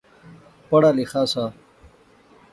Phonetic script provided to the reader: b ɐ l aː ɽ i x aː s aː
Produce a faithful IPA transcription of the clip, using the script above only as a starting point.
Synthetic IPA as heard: p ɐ ɽ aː l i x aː s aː